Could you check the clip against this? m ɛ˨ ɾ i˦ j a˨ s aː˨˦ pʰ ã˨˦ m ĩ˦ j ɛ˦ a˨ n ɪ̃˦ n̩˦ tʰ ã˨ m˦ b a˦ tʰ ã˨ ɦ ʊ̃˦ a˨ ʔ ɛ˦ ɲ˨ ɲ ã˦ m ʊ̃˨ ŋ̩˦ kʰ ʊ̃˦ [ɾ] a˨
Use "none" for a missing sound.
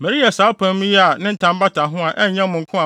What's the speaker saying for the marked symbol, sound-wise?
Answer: none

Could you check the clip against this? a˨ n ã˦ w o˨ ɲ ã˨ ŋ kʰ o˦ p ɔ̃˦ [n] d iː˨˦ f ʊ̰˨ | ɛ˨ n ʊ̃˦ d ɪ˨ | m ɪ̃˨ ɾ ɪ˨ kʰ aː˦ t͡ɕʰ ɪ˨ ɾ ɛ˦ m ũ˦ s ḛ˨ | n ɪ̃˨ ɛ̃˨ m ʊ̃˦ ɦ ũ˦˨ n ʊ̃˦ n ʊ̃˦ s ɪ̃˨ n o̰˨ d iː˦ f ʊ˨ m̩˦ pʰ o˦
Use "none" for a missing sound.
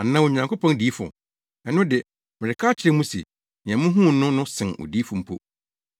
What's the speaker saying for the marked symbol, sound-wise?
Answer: n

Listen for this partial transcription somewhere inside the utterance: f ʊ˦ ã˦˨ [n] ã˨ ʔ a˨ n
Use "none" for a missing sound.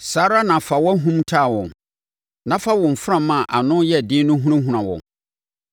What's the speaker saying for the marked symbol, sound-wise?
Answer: m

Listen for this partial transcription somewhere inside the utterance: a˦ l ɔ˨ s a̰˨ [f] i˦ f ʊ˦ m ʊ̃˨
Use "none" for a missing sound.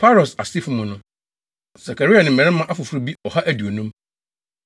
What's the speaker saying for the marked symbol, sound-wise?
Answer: s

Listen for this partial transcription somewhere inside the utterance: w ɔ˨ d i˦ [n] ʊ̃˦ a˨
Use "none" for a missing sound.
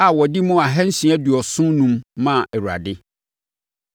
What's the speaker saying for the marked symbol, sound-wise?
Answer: m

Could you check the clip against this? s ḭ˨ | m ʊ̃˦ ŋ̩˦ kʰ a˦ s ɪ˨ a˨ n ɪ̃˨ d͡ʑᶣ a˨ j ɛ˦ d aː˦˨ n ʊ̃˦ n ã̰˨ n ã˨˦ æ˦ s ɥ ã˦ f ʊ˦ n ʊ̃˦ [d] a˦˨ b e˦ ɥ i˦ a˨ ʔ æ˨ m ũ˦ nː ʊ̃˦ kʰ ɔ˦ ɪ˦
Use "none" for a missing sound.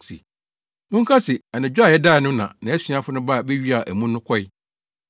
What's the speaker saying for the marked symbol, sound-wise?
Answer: b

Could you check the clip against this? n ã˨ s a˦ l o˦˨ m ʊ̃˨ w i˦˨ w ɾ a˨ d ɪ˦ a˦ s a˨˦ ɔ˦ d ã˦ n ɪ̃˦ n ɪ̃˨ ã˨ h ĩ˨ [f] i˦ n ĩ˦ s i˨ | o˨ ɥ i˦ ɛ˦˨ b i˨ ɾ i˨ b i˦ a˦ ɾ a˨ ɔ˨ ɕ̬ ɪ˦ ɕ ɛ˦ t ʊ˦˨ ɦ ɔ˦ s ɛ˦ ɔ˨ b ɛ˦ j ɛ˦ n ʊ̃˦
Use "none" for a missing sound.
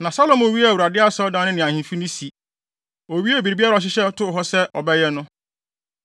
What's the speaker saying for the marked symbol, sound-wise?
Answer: f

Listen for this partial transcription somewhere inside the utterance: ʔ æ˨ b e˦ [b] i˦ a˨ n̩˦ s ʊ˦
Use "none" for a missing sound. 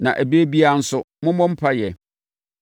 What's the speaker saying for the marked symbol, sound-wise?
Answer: b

